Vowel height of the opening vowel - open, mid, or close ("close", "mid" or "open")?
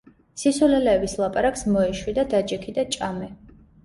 close